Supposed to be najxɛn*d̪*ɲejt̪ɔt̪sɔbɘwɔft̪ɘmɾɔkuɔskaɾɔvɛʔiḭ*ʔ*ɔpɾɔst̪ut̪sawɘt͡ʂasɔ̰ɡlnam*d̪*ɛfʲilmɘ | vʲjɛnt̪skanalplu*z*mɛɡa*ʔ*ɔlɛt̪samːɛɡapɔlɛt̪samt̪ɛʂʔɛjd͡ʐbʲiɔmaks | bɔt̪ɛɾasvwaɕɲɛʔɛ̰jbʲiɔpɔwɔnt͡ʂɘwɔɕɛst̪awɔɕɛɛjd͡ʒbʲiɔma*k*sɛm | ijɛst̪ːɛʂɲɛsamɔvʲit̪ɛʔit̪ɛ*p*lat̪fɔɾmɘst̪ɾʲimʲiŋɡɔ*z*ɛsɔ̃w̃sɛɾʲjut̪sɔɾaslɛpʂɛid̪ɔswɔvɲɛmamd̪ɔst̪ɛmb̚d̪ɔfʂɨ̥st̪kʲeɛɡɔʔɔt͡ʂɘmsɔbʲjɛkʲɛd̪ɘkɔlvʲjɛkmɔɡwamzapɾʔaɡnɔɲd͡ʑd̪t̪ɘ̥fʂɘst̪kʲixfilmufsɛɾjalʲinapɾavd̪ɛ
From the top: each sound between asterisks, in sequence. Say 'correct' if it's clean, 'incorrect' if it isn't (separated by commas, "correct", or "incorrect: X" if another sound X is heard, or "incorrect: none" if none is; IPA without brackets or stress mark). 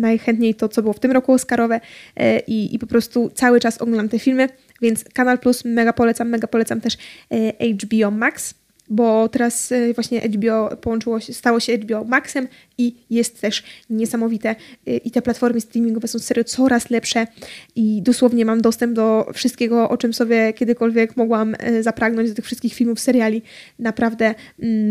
incorrect: t̪, incorrect: p, incorrect: t̪, incorrect: s, incorrect: p, correct, correct, incorrect: v